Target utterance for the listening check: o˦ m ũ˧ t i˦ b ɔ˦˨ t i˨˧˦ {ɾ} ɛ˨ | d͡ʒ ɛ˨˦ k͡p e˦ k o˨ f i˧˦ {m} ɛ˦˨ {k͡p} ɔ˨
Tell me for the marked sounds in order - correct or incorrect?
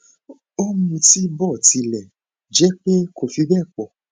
incorrect: l, incorrect: b, correct

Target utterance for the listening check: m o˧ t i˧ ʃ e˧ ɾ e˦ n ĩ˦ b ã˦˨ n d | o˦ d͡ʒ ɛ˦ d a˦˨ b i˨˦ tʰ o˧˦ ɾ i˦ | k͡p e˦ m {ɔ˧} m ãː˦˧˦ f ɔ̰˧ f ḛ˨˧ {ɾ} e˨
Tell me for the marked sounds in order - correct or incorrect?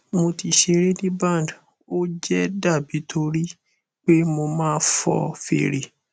incorrect: o˧, correct

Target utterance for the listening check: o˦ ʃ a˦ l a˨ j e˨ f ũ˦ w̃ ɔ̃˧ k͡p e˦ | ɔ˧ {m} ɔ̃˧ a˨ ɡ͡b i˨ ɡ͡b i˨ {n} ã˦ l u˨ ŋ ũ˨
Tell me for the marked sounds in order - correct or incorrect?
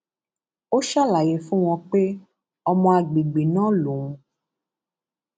correct, correct

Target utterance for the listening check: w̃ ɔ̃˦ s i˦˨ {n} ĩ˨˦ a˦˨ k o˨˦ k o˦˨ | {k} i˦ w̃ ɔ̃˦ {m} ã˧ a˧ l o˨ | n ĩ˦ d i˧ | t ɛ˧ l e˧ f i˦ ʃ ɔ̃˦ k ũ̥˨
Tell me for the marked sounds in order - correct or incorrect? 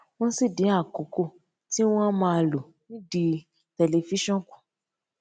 incorrect: d, incorrect: t, correct

